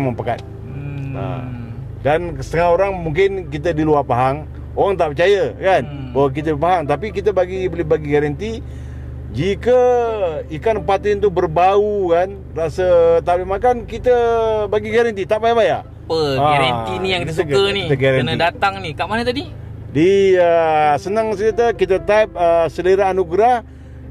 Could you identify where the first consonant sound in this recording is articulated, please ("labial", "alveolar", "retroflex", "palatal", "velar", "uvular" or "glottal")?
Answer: labial